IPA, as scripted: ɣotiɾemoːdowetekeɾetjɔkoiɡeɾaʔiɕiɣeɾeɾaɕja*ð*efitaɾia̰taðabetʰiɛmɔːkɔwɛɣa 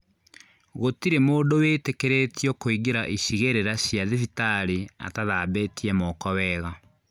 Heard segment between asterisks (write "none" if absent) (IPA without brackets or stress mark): ð